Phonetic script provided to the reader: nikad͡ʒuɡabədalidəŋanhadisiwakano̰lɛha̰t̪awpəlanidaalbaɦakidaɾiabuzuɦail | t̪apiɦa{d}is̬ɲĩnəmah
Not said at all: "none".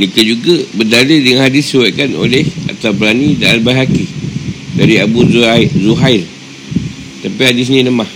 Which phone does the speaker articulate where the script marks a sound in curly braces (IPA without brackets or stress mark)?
d